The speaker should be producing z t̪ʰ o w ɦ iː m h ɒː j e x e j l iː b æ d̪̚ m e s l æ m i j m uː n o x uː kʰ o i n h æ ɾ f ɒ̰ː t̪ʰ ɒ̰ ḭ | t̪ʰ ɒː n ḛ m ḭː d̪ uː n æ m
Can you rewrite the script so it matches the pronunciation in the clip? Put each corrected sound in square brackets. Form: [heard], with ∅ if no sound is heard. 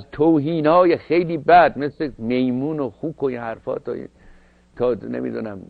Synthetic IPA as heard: z t̪ʰ o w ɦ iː [n] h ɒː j e x e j l iː b æ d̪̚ m e s l [e] m [e] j m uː n o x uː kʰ o i n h æ ɾ f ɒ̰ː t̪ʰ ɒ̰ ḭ | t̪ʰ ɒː n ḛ m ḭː d̪ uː n æ m